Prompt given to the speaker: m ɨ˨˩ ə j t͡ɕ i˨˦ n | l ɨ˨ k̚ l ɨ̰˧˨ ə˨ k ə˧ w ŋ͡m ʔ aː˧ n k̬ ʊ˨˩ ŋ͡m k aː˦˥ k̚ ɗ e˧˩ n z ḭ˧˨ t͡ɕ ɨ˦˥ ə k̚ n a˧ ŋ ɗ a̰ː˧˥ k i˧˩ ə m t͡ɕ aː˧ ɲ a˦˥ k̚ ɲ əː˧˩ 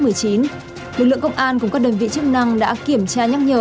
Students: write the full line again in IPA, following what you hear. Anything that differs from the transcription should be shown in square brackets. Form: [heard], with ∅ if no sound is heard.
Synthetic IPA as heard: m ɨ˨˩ ə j t͡ɕ i˨˦ n | l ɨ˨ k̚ l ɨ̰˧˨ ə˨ k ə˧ w ŋ͡m ʔ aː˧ n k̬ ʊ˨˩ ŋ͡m k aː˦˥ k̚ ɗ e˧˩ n [v] ḭ˧˨ t͡ɕ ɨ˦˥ ə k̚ n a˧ ŋ ɗ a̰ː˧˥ k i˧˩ ə m t͡ɕ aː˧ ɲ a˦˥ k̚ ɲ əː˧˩